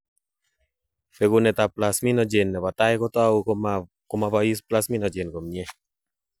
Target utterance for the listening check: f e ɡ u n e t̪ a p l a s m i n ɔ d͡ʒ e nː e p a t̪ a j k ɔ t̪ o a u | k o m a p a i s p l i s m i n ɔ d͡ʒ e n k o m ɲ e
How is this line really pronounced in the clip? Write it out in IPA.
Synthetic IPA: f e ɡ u n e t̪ a p l a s m i n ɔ d͡ʒ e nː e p a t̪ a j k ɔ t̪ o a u | k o m a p a i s p l a s m i n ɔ d͡ʒ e n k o m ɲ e